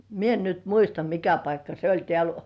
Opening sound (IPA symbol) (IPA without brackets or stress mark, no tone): m